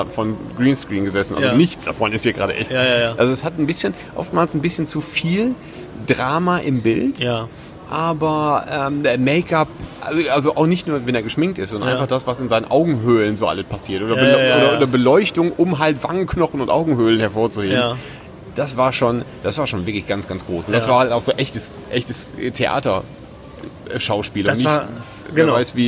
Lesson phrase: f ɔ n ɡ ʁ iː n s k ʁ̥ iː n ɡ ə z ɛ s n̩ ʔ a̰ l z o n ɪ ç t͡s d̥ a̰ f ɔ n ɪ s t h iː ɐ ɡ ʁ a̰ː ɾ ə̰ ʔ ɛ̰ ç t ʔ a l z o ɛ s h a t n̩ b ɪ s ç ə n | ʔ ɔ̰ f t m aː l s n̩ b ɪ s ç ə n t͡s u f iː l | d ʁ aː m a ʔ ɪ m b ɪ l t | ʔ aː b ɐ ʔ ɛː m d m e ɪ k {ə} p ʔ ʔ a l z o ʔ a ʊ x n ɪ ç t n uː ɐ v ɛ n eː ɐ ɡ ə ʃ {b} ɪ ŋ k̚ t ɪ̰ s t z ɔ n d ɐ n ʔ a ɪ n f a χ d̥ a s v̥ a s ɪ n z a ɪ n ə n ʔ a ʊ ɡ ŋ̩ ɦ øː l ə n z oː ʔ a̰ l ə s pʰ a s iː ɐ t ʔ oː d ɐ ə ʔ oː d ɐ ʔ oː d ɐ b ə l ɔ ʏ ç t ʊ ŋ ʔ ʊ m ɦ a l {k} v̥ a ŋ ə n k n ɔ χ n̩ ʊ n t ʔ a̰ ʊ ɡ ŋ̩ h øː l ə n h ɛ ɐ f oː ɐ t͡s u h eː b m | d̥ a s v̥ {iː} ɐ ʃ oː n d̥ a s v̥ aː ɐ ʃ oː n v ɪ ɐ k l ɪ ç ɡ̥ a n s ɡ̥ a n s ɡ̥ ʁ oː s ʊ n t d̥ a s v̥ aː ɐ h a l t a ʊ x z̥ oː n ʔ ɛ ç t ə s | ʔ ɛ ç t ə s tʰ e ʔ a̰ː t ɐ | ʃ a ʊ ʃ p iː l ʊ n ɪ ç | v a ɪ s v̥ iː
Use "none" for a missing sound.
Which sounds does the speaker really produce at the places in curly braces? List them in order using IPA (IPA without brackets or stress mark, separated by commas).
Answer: a, m, t, aː